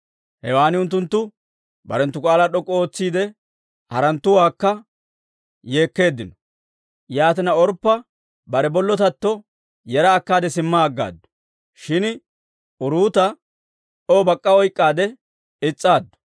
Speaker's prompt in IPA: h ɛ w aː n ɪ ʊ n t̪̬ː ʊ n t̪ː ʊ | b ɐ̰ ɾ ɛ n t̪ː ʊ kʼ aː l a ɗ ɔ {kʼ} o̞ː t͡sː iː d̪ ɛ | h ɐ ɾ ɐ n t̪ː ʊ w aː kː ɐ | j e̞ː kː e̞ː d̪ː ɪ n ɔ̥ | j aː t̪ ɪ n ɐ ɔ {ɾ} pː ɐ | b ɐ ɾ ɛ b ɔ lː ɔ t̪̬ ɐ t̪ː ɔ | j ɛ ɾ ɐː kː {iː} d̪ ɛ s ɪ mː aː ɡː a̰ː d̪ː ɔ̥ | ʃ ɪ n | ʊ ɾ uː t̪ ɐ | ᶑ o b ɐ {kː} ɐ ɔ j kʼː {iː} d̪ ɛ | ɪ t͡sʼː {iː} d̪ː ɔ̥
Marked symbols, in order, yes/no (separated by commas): yes, yes, no, no, no, no